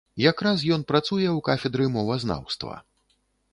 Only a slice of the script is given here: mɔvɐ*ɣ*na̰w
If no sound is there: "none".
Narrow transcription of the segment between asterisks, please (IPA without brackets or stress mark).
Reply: z